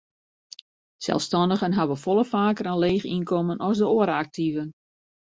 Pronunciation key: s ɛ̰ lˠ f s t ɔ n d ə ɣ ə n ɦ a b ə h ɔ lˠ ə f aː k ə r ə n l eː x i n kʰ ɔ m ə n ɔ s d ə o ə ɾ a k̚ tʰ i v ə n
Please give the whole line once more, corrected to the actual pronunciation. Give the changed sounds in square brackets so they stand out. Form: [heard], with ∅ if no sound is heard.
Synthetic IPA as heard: s ɛ̰ lˠ f s t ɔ n d ə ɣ ə n ɦ a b ə [f] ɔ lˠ ə f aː k ə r ə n l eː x i n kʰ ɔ m ə n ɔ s d ə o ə ɾ a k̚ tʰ i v ə n